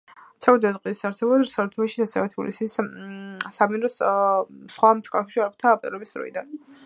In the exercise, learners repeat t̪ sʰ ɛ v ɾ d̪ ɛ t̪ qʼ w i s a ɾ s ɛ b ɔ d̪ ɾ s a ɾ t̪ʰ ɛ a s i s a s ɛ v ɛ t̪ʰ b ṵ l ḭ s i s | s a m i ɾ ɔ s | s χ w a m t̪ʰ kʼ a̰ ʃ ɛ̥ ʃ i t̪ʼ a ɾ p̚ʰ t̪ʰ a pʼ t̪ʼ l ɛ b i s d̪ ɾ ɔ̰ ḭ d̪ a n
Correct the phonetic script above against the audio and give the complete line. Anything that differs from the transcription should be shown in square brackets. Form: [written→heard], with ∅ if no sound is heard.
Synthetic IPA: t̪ sʰ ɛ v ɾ d̪ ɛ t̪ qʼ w i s a ɾ s ɛ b ɔ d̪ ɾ s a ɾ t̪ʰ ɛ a [s→ʃ] i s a s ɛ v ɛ t̪ʰ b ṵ l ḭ s i s | s a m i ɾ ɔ s | s χ w a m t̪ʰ kʼ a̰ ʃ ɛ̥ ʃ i [t̪ʼ→∅] a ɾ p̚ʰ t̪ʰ a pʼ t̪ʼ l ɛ b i s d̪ ɾ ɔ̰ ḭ d̪ a n

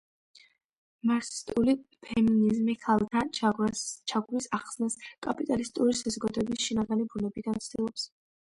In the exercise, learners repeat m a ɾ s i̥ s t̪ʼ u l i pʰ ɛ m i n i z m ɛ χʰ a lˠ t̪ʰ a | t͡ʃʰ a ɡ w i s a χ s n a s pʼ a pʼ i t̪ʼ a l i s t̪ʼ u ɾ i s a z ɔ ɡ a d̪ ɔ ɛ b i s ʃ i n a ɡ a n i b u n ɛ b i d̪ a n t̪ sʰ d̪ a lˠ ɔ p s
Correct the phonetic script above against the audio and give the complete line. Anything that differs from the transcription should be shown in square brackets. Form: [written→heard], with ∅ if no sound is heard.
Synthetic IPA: m a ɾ s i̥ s t̪ʼ u l i pʰ ɛ m i n i z m [ɛ→i] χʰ a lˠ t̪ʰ a | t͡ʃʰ a ɡ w i s a χ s n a s [pʼ→kʼ] a pʼ i t̪ʼ a l i s t̪ʼ u ɾ i s a z ɔ ɡ a d̪ ɔ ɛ b i s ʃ i n a ɡ a n i b u n ɛ b i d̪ a n t̪ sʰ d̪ [a→i] lˠ ɔ p s

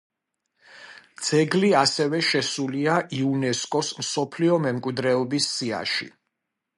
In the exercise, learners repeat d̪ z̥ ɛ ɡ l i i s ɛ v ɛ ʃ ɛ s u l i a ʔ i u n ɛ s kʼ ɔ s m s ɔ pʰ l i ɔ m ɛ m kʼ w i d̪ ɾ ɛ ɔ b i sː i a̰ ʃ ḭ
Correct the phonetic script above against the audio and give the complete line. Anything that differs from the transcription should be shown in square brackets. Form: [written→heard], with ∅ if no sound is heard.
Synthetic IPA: d̪ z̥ ɛ ɡ l i [i→a] s ɛ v ɛ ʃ ɛ s u l i a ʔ i u n ɛ s kʼ ɔ s m s ɔ pʰ l i ɔ m ɛ m kʼ w i d̪ ɾ ɛ ɔ b i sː i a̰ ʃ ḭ

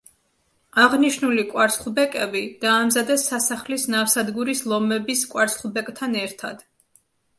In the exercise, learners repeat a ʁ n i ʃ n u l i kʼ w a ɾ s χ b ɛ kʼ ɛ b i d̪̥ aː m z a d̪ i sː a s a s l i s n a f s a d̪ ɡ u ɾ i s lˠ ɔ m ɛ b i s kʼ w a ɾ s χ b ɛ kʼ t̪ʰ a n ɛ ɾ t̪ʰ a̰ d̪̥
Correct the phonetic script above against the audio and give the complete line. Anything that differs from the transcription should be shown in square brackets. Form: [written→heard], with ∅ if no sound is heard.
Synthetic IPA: a ʁ n i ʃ n u l i kʼ w a ɾ s χ b ɛ kʼ ɛ b i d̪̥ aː m z a d̪ [i→ɛ] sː a s a [s→χ] l i s n a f s a d̪ ɡ u ɾ i s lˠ ɔ m ɛ b i s kʼ w a ɾ s χ b ɛ kʼ t̪ʰ a n ɛ ɾ t̪ʰ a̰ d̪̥

